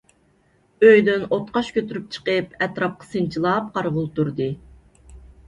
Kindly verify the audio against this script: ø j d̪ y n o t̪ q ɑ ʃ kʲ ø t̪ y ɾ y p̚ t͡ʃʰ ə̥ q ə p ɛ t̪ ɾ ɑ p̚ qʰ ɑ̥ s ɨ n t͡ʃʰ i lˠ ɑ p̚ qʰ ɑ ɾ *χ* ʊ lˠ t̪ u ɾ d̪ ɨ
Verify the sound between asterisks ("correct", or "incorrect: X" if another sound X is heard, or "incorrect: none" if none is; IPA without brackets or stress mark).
incorrect: ʁ